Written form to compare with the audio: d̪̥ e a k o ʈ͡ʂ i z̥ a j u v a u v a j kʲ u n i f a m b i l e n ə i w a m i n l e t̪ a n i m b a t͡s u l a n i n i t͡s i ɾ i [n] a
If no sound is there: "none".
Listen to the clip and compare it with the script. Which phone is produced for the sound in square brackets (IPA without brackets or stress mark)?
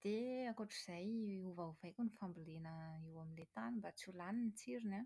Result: n